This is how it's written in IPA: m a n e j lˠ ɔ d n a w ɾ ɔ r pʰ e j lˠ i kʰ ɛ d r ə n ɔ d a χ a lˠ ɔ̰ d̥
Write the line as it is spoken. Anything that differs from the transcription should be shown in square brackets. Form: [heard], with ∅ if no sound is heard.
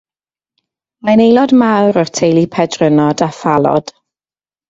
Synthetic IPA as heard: m a n e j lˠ ɔ d [m] a w ɾ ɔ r [tʰ] e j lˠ i [pʰ] ɛ d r ə n ɔ d a [f] a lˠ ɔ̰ d̥

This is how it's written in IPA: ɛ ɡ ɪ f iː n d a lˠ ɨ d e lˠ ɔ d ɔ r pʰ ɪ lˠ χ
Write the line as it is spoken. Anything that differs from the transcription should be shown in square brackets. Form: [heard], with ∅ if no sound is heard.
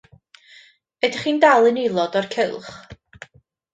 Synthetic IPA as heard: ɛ [d] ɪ [χ] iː n d a lˠ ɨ [n] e lˠ ɔ d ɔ r [kʰ] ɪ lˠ χ

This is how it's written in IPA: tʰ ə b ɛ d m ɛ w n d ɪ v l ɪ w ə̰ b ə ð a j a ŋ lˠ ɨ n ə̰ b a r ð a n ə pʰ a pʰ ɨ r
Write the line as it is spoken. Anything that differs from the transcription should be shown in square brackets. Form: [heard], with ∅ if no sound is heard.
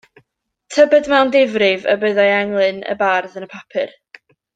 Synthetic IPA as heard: tʰ ə b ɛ d m ɛ w n d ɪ v [r] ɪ [v] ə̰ b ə ð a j a ŋ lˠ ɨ n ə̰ b a r ð [ə] n ə pʰ a pʰ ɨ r

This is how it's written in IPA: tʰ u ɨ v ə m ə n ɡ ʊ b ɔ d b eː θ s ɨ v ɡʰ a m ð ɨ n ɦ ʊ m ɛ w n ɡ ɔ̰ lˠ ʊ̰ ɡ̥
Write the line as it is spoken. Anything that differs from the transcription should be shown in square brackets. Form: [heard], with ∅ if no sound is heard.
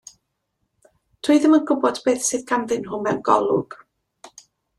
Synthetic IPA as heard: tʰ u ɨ [ð] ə m ə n ɡ ʊ b ɔ d b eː θ s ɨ [ð] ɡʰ a m ð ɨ n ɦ ʊ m ɛ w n ɡ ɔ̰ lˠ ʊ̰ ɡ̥

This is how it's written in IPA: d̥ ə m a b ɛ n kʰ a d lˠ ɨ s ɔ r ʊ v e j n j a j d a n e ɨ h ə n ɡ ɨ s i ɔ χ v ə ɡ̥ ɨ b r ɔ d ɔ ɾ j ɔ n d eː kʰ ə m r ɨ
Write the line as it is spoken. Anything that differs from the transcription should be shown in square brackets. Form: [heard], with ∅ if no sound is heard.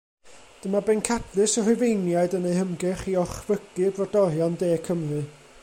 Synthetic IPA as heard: d̥ ə m a b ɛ n kʰ a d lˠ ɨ s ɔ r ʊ v e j n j a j d [ə] n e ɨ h ə [m] ɡ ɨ [χ] i ɔ χ v ə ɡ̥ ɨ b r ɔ d ɔ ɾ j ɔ n d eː kʰ ə m r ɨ

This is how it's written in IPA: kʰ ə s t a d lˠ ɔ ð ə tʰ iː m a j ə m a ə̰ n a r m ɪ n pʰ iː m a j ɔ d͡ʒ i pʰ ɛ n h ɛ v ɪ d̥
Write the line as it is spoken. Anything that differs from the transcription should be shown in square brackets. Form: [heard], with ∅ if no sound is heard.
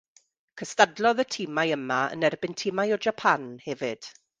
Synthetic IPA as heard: kʰ ə s t a d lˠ ɔ ð ə tʰ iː m a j ə m a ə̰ n [ɛ] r [b] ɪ n [tʰ] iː m a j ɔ d͡ʒ [a] pʰ [a] n h ɛ v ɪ d̥

